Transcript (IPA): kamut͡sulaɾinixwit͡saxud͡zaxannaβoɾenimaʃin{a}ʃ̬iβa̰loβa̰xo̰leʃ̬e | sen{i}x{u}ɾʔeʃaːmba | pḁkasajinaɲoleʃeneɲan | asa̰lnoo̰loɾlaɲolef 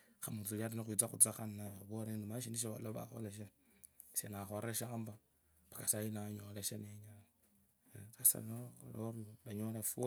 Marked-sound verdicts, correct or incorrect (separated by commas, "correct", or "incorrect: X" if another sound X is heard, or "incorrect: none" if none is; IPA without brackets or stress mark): incorrect: i, incorrect: a, incorrect: o